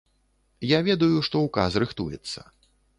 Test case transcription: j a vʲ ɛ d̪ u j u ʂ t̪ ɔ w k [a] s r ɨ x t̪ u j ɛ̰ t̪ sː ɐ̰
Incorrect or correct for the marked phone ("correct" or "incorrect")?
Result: correct